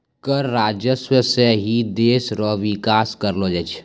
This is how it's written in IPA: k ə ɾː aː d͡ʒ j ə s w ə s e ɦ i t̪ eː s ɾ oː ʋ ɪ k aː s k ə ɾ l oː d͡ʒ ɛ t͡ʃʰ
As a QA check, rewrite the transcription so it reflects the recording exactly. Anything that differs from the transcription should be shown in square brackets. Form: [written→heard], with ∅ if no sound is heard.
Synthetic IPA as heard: k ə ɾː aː d͡ʒ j ə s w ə s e ɦ i [t̪→d̪] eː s ɾ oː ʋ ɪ k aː s k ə ɾ l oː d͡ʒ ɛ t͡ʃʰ